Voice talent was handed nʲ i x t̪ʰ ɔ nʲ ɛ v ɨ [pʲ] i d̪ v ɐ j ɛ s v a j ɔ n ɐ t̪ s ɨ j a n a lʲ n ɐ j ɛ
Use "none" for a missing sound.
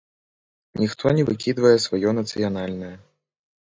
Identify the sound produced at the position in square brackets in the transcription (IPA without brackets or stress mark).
kʲ